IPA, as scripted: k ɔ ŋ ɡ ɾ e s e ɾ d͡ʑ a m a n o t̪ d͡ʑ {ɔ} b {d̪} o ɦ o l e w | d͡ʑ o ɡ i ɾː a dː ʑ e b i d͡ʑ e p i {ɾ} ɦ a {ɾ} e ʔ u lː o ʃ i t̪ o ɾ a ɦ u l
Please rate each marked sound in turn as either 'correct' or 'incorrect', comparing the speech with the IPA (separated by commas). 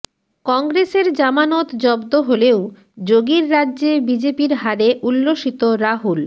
correct, correct, correct, correct